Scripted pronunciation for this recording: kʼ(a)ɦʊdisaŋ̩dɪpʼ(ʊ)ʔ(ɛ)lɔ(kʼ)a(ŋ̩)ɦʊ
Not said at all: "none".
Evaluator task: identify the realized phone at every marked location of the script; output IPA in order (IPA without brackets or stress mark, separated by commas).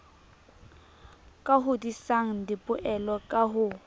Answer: a, ʊ, ɛ, kʼ, none